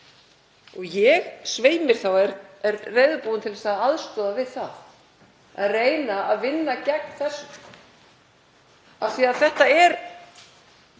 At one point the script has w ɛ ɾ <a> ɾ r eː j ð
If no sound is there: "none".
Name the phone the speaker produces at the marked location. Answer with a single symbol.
ɛ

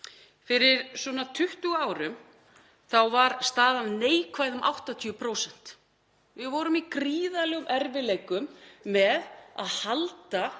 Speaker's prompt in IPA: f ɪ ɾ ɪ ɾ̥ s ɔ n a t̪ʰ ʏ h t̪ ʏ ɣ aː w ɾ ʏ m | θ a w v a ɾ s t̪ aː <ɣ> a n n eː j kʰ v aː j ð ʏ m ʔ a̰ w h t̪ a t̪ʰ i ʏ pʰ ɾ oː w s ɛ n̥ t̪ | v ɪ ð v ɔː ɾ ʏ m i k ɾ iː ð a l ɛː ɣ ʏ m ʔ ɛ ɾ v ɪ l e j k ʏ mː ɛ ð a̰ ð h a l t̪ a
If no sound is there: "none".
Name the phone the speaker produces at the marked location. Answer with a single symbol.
ð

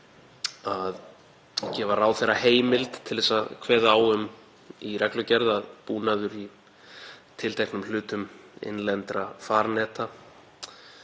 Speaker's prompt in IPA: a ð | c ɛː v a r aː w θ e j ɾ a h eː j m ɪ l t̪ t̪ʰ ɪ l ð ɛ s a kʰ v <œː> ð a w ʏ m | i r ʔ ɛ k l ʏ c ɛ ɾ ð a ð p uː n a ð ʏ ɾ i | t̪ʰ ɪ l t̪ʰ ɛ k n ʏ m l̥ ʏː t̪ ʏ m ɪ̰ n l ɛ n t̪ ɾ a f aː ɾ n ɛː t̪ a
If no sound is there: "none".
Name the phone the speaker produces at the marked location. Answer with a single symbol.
ɛː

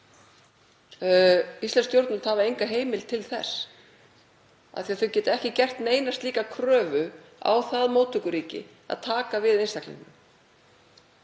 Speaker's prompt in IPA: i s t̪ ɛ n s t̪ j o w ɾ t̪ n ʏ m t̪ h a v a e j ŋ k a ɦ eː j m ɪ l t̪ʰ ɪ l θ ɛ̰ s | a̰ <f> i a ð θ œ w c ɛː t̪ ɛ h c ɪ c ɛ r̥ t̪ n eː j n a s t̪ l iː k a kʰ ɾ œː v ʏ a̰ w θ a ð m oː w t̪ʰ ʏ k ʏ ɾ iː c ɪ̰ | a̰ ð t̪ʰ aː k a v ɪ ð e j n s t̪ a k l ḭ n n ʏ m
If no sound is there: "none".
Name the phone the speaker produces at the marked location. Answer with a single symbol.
θ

